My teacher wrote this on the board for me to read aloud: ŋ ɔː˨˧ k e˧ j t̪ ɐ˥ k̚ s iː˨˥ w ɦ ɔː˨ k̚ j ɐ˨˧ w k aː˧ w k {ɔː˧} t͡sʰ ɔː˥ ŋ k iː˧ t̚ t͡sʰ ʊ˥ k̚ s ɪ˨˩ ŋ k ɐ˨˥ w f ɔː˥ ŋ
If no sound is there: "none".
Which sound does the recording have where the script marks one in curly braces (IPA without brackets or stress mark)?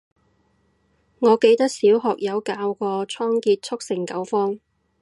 ɔː˧